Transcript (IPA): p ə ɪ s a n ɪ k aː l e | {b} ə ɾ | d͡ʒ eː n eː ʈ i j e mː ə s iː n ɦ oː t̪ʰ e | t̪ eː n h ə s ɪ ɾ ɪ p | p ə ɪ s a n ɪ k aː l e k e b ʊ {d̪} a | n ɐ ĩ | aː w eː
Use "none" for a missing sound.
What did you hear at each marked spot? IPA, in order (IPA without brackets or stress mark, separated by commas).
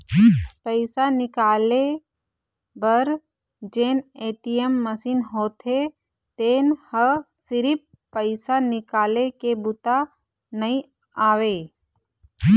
b, t̪